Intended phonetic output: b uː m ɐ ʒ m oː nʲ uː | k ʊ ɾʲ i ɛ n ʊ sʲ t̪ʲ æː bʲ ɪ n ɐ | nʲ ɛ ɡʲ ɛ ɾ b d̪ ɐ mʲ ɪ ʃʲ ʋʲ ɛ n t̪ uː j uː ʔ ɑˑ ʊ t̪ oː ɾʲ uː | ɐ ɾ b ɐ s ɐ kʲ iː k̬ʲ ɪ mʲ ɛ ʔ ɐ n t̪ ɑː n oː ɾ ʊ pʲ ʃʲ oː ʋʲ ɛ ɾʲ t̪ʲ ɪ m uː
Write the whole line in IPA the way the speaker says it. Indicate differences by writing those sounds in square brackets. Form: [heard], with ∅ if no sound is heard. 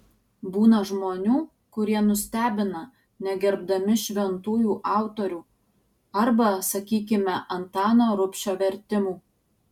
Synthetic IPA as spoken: b uː [n] ɐ ʒ m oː nʲ uː | k ʊ ɾʲ i ɛ n ʊ sʲ t̪ʲ æː bʲ ɪ n ɐ | nʲ ɛ ɡʲ ɛ ɾ b d̪ ɐ mʲ ɪ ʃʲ ʋʲ ɛ n t̪ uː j uː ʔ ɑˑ ʊ t̪ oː ɾʲ uː | ɐ ɾ b ɐ s ɐ kʲ iː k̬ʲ ɪ mʲ ɛ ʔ ɐ n t̪ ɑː n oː ɾ ʊ pʲ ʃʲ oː ʋʲ ɛ ɾʲ t̪ʲ ɪ m uː